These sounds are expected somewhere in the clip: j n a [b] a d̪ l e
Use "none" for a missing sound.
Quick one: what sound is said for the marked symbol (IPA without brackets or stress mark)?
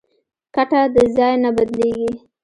b